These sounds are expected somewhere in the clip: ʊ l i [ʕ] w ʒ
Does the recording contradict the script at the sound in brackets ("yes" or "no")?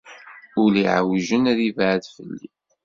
no